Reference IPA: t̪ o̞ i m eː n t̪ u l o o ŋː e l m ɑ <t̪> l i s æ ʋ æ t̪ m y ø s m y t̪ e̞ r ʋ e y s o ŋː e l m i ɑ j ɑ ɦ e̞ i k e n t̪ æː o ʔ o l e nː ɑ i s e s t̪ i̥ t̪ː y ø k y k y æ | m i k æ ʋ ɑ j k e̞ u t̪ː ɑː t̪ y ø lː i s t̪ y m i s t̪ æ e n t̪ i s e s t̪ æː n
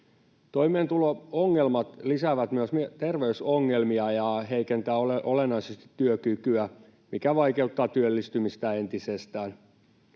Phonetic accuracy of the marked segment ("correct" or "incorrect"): correct